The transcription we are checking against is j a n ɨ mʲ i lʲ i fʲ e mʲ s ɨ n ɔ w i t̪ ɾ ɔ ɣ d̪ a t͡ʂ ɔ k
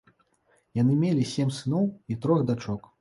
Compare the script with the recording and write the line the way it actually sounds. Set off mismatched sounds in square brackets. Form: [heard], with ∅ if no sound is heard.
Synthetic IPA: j a n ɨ mʲ [e] lʲ i [sʲ] e mʲ s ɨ n ɔ w i t̪ ɾ ɔ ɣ d̪ a t͡ʂ ɔ k